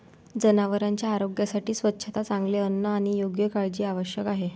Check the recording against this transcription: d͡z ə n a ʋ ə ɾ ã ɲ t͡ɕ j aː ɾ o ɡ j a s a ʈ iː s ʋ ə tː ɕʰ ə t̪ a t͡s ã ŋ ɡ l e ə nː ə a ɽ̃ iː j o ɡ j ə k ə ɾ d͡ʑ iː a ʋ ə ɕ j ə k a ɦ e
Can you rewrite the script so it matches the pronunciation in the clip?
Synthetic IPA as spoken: d͡z ə n a ʋ ə ɾ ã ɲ t͡ɕ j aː ɾ o ɡ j a s a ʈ iː s ʋ ə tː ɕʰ ə t̪ a t͡s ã ŋ ɡ l e ə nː ə a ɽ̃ i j o ɡ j ə k a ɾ d͡ʑ iː a ʋ ə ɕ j ə k a ɦ e